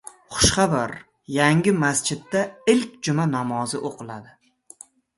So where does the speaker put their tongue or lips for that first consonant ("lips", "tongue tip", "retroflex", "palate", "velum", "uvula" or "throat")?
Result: uvula